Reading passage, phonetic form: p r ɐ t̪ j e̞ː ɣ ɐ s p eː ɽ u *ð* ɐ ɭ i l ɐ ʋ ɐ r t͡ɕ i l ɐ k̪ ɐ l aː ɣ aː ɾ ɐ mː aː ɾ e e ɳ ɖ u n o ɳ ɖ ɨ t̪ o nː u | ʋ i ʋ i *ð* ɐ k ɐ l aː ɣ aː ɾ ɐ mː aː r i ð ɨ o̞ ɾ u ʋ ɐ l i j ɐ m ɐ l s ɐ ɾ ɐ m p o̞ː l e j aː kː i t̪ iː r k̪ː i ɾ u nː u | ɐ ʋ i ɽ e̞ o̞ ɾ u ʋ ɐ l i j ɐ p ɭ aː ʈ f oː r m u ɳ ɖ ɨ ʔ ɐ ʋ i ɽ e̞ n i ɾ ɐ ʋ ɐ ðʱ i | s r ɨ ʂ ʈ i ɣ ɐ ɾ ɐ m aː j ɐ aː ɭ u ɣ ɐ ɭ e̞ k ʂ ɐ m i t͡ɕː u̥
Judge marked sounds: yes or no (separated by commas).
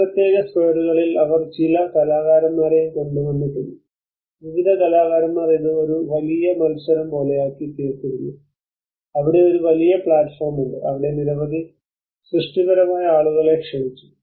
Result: no, yes